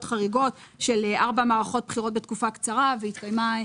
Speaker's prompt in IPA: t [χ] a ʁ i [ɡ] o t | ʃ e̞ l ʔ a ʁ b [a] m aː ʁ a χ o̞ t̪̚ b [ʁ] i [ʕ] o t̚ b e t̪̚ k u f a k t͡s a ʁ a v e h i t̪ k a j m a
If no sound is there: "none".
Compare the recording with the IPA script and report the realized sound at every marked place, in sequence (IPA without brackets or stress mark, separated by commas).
χ, ɡ, a, χ, ʁ